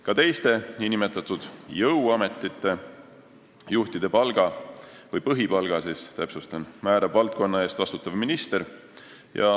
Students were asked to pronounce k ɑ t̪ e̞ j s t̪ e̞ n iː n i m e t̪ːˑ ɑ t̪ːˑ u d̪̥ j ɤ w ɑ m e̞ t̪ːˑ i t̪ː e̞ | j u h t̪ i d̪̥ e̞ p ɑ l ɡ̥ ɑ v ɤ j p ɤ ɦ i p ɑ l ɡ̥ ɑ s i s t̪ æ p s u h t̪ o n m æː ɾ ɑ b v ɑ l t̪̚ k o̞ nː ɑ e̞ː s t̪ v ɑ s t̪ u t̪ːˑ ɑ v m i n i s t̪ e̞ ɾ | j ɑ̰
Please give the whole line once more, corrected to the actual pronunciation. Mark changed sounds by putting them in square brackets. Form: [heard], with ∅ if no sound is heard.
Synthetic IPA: k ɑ t̪ e̞ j s t̪ e̞ n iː n i m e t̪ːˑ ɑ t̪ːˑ u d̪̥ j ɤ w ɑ m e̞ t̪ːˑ i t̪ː e̞ | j u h t̪ i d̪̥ e̞ p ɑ l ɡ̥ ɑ v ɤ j p ɤ ɦ i p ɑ l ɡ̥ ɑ s i s t̪ æ p s u [s] t̪ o n m æː ɾ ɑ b v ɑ l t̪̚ k o̞ nː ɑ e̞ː s t̪ v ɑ s t̪ u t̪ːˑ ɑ v m i n i s t̪ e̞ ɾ | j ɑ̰